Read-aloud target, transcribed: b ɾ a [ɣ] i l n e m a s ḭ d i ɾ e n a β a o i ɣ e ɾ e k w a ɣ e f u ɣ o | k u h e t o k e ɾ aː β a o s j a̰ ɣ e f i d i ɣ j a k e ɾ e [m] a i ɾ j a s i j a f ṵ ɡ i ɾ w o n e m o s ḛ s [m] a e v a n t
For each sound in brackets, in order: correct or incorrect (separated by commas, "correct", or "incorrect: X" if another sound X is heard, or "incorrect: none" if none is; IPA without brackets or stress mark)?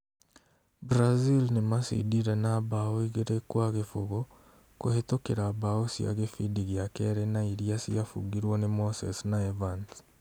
incorrect: z, incorrect: n, incorrect: n